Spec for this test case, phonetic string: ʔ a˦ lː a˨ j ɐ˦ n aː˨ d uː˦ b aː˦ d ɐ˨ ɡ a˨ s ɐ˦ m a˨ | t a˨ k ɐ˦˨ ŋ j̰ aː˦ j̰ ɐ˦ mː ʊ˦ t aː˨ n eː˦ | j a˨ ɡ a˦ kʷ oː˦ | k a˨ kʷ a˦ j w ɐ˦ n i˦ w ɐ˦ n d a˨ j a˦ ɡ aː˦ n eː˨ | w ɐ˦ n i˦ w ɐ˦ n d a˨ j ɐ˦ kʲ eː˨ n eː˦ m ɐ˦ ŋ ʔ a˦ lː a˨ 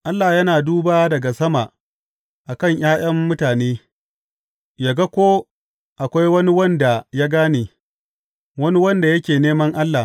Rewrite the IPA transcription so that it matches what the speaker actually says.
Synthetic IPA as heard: ʔ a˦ lː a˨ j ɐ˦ n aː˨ d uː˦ b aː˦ d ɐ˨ ɡ a˨ s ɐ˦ m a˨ | ʔ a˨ k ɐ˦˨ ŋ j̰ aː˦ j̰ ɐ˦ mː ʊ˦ t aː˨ n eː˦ | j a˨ ɡ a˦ kʷ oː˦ | ʔ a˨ kʷ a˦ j w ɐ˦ n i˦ w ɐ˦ n d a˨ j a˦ ɡ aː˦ n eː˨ | w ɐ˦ n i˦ w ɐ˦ n d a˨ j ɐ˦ kʲ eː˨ n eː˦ m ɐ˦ ŋ ʔ a˦ lː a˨